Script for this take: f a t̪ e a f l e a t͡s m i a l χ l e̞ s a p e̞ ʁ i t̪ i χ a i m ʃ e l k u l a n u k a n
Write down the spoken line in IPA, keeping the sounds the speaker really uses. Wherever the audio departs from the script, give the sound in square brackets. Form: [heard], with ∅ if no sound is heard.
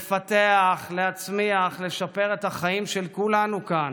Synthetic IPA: f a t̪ e a [χ] l e a t͡s m i a [∅] χ l e̞ [ʃ] a p e̞ ʁ [e] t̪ [a] χ a i m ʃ e l k u l a n u k a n